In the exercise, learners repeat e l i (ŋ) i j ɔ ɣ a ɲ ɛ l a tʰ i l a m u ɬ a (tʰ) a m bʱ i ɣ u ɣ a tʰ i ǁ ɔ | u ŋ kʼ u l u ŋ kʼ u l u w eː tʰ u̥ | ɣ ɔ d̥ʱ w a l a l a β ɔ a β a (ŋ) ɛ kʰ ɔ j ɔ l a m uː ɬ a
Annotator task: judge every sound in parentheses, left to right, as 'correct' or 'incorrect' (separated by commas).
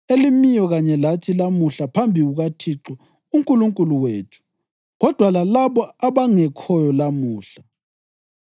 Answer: incorrect, incorrect, correct